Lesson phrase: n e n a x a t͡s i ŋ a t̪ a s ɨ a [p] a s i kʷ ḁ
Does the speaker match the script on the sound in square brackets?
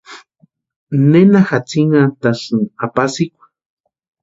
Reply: yes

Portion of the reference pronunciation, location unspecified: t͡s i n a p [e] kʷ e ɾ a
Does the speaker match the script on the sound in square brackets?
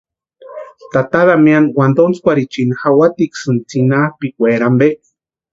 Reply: no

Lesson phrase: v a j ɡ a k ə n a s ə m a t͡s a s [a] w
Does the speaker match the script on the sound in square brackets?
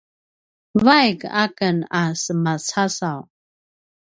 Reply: yes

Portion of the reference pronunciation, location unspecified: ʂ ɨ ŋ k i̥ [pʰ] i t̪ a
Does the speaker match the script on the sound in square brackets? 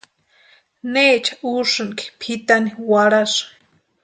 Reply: yes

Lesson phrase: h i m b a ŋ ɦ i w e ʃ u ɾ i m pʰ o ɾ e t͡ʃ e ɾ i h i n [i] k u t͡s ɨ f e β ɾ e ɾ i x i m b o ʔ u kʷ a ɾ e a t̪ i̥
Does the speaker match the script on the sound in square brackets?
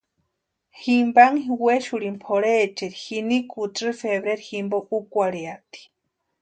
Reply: yes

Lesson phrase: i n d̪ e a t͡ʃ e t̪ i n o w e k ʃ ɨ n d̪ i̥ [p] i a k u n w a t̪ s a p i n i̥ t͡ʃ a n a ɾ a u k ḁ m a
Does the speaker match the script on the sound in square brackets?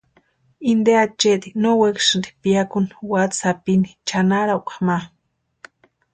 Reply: yes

